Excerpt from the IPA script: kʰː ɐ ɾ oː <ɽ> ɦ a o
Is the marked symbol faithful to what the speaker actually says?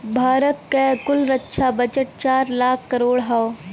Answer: yes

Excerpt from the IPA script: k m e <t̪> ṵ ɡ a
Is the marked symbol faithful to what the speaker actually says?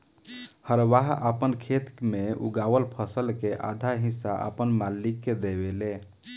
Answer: no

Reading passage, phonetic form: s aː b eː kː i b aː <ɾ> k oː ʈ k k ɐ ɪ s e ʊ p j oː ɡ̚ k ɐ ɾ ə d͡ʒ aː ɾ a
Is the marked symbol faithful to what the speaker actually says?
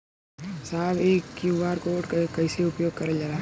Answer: yes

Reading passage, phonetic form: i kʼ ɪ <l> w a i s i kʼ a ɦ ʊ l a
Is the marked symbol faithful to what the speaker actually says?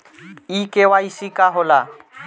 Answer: no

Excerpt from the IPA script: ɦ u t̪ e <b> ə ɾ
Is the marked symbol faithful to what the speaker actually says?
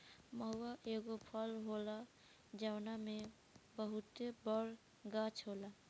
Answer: yes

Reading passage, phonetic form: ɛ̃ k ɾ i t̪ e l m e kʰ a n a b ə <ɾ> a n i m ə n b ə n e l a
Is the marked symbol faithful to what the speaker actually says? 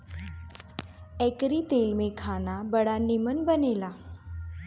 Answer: no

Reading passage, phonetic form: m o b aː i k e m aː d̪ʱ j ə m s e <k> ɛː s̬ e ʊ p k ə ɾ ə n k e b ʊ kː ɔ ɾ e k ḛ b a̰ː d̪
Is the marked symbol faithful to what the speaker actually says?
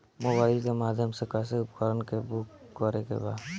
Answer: yes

